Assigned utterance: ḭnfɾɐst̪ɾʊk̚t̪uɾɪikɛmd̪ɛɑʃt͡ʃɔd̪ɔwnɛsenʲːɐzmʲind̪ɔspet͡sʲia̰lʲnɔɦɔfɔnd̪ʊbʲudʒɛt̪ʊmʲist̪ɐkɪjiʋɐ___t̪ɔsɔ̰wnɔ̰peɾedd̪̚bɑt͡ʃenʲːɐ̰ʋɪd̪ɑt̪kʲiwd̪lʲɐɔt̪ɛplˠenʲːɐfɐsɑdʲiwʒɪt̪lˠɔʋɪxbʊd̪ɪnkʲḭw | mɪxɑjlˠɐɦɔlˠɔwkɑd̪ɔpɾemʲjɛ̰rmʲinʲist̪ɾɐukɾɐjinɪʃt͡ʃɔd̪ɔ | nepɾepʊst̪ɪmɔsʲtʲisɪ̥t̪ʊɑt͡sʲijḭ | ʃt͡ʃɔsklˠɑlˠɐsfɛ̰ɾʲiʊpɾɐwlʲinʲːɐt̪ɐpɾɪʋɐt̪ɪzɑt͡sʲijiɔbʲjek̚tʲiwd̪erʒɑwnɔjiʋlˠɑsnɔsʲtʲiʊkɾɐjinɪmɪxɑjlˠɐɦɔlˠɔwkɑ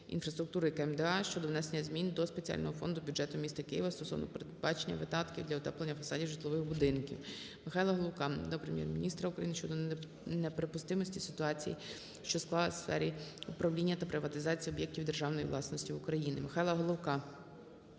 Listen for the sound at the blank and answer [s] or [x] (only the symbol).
s